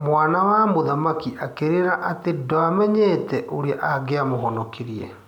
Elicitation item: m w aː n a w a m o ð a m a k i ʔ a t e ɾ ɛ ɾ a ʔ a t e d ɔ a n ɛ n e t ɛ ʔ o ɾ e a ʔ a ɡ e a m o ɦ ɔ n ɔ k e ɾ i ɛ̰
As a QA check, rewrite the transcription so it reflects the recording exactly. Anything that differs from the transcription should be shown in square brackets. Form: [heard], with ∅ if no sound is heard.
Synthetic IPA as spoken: m w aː n a w a m o ð a m a k i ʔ a [k] e ɾ [e] ɾ a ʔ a t e d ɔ a [m] ɛ [ɲ] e t ɛ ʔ o ɾ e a ʔ a ɡ e a m o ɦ ɔ n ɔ k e ɾ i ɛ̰